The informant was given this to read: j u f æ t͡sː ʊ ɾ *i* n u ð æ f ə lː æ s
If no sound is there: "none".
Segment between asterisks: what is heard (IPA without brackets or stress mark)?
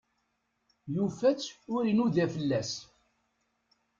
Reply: i